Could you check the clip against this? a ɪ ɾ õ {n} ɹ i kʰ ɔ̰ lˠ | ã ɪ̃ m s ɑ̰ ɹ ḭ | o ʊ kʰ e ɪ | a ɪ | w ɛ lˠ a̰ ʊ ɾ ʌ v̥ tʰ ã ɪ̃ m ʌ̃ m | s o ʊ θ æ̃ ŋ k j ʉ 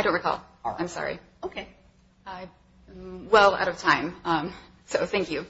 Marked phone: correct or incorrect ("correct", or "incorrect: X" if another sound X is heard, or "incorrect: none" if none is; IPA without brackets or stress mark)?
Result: correct